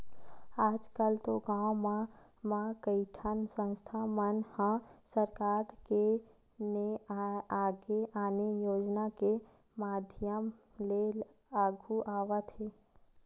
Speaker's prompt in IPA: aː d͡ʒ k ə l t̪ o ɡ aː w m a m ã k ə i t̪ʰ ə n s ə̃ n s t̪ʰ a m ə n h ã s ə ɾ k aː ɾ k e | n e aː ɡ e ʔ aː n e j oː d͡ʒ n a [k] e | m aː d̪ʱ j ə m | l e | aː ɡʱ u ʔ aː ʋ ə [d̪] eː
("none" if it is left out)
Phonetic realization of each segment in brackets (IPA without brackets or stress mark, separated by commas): k, t̪